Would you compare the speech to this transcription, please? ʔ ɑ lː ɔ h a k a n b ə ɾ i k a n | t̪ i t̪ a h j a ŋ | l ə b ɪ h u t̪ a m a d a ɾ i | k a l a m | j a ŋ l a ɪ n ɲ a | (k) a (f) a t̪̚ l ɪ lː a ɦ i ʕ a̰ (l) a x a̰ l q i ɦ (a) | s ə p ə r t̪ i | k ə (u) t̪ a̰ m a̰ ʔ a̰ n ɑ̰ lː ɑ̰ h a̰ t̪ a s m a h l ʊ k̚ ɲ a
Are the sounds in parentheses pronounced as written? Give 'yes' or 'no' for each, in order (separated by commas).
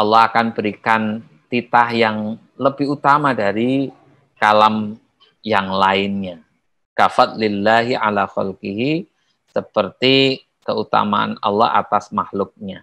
yes, yes, yes, no, yes